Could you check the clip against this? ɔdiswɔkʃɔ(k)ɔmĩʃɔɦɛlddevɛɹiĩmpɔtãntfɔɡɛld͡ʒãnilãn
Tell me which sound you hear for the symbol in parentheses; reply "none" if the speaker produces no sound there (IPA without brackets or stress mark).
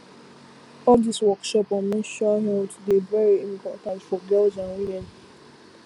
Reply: p